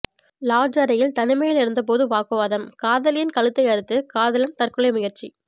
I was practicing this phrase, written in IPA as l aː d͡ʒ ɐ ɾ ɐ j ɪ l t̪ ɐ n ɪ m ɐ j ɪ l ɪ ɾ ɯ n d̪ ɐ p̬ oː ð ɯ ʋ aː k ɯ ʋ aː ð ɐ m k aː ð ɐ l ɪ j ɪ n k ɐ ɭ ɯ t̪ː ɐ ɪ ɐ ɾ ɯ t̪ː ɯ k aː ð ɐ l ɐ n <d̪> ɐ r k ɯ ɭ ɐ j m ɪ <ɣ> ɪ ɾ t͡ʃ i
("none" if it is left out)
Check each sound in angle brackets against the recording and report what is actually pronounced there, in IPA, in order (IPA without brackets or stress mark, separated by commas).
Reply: t̪, ɣ